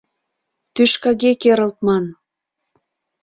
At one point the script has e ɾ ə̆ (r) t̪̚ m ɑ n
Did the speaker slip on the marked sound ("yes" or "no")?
yes